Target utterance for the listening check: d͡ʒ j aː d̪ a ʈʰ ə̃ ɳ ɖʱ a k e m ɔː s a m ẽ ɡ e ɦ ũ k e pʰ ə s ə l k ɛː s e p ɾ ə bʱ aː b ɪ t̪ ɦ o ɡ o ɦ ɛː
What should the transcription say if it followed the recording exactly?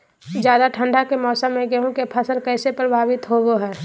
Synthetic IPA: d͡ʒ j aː d̪ a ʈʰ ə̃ ɳ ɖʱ a k e m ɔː s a m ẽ ɡ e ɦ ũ k e pʰ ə s ə l k ɛː s e p ɾ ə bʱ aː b ɪ t̪ ɦ o ɡ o ɦ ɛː